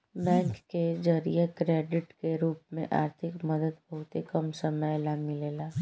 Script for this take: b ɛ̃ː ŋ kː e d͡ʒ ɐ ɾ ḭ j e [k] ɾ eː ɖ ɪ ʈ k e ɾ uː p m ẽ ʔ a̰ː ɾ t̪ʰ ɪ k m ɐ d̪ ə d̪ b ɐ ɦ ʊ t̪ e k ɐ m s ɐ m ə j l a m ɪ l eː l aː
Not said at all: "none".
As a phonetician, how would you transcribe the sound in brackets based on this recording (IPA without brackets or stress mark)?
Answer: k